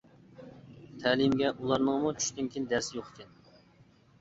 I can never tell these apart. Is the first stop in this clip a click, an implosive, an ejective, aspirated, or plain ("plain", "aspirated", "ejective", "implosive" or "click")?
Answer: aspirated